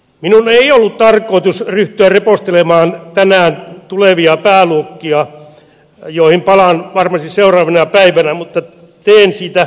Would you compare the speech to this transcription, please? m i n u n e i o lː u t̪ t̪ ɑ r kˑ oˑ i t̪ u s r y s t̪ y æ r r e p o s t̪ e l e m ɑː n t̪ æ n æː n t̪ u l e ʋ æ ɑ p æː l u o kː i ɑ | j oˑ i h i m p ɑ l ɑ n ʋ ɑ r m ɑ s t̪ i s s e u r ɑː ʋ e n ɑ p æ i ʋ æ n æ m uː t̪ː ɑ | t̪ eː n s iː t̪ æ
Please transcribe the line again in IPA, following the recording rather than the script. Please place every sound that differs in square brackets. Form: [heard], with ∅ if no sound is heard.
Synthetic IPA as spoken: m i n u n e i o lː u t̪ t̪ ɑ r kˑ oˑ i t̪ u s r y [h] t̪ y æ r r e p o s t̪ e l e m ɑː n t̪ æ n æː n t̪ u l e ʋ [i] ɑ p æː l u o kː i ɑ | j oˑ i h i m p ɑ l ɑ n ʋ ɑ r m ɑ s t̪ i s s e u r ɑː ʋ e n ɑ p æ i ʋ æ n æ m [u] t̪ː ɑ | t̪ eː n s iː t̪ æ